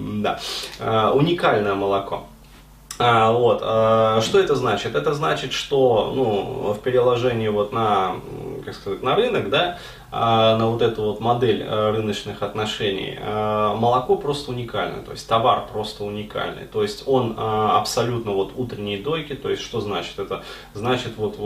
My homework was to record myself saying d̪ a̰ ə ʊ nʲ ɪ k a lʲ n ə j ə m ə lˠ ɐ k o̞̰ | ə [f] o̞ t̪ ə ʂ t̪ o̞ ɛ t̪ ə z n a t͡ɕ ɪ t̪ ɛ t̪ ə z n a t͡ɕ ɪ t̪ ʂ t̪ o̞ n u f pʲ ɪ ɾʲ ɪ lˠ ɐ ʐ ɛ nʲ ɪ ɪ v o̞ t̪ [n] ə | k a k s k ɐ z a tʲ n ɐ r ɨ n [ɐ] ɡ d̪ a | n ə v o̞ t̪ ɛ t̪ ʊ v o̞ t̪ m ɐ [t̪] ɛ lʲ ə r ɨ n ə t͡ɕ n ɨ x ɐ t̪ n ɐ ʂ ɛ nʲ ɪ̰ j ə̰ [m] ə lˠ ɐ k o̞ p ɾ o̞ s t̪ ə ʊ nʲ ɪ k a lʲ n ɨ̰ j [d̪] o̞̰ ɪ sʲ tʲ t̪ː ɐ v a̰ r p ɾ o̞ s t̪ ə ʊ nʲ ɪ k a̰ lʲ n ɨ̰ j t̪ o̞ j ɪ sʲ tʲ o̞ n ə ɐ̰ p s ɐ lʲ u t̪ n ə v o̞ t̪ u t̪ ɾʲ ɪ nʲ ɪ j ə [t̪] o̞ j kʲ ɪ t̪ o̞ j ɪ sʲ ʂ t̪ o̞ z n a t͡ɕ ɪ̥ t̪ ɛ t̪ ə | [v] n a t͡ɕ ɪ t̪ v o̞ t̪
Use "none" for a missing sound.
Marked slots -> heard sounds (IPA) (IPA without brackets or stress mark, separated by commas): v, n, ə, d̪, m, t̪, d̪, z